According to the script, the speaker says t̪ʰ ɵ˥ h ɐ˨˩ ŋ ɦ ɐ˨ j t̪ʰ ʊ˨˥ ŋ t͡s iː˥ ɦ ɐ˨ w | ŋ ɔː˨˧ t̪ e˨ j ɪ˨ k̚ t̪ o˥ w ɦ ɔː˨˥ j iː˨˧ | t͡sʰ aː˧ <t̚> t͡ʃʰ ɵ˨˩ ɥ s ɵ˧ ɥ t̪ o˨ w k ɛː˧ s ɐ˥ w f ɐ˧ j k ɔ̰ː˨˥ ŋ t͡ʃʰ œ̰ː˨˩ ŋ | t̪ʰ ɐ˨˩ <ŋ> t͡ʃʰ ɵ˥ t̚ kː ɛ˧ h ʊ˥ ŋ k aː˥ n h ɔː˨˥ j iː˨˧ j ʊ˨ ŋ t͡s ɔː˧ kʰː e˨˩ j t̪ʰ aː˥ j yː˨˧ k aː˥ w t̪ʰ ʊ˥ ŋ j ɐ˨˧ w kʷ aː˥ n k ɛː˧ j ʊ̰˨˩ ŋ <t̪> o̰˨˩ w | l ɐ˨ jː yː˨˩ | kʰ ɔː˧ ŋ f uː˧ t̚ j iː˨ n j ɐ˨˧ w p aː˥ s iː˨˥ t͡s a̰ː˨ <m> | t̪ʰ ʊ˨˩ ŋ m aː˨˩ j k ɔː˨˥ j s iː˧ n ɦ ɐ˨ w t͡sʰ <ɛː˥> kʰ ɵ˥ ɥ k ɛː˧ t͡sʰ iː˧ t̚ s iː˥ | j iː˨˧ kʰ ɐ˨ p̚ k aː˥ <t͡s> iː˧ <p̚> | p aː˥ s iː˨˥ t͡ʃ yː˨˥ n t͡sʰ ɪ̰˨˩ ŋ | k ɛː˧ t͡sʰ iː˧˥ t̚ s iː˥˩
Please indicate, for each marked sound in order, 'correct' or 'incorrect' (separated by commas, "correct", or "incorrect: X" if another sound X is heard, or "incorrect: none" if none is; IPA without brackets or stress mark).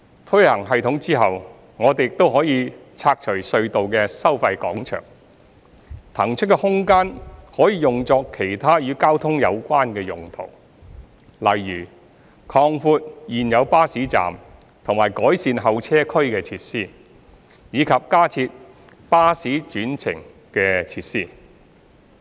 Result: incorrect: k̚, correct, incorrect: t̪ʰ, correct, correct, incorrect: t͡sʰ, incorrect: t̚